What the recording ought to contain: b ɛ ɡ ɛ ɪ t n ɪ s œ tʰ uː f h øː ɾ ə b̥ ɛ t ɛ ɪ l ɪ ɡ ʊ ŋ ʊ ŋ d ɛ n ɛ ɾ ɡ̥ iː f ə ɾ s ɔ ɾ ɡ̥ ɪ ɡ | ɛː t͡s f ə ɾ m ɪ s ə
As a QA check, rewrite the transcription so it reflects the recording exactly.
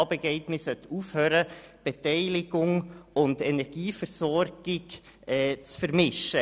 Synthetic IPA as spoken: b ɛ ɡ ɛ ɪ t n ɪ s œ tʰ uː f h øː ɾ ə b̥ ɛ t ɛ ɪ l ɪ ɡ ʊ ŋ ʊ n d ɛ n ɛ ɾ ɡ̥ iː f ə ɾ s ɔ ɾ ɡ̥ ɪ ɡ | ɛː t͡s f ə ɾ m ɪ ʃ ə